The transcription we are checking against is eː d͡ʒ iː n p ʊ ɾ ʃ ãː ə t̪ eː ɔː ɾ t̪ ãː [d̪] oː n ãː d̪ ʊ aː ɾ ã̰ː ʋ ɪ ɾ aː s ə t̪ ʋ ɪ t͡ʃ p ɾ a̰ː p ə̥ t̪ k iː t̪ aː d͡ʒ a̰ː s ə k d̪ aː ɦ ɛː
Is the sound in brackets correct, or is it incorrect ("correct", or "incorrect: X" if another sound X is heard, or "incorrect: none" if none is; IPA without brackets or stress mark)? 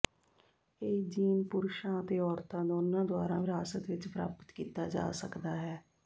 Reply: correct